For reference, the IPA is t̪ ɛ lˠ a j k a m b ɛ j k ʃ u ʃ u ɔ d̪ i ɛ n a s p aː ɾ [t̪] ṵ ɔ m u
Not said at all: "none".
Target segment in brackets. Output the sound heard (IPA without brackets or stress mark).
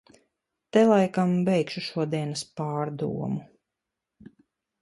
d̪